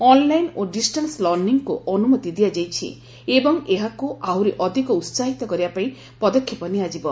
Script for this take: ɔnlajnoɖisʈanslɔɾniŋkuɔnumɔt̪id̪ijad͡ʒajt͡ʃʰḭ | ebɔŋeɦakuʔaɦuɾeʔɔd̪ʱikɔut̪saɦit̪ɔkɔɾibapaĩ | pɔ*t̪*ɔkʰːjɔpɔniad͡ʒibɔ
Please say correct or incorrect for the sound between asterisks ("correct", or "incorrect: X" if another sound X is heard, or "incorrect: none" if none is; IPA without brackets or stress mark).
incorrect: d̪